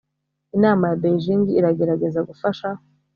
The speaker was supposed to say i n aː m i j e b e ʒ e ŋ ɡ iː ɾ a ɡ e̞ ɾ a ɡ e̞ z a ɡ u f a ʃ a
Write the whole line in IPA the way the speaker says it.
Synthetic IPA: i n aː m a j a b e ʒ i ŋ ɡ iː ɾ a ɡ e̞ ɾ a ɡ e̞ z a ɡ u f a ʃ a